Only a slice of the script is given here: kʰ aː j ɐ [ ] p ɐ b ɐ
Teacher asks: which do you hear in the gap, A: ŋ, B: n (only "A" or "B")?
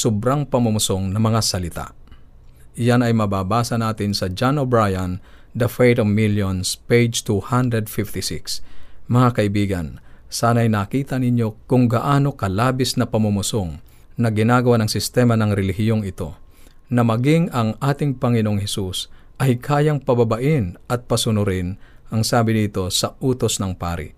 A